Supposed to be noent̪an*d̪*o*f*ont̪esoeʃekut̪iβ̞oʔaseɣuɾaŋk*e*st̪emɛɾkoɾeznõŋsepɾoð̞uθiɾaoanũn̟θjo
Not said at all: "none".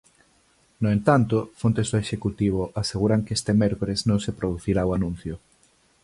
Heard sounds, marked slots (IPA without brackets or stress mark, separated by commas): t̪, f, e